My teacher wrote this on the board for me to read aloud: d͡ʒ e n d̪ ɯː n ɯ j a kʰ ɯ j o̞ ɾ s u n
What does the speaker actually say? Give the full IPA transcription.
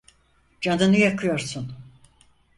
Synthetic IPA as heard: d͡ʒ a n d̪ ɯ n ɯ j a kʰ ɯ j o̞ ɾ s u n